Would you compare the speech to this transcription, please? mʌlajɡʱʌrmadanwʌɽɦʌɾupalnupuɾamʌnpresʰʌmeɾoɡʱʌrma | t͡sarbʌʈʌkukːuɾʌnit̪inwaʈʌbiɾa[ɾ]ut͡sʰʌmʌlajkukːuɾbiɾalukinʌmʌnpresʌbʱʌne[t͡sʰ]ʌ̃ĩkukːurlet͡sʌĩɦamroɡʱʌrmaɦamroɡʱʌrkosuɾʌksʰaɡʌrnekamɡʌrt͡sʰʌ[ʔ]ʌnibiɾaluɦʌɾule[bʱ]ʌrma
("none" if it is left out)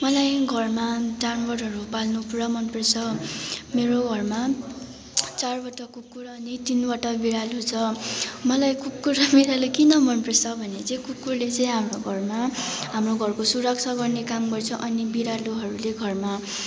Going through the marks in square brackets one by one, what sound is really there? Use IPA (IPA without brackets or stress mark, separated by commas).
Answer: l, t͡s, ʔ, ɡʱ